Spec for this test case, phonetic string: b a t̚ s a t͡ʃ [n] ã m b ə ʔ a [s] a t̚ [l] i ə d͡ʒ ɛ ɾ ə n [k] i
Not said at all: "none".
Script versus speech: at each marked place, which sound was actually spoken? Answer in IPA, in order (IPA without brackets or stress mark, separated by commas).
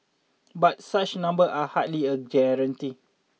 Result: n, h, l, t